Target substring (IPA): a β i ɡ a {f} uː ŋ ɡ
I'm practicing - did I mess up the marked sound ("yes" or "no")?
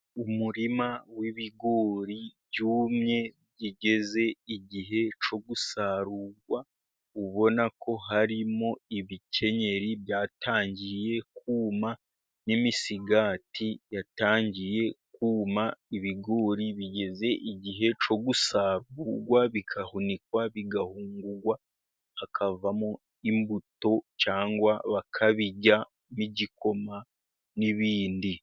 yes